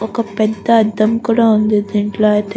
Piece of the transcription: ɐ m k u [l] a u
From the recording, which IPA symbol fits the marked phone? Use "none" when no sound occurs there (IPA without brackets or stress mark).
ɽ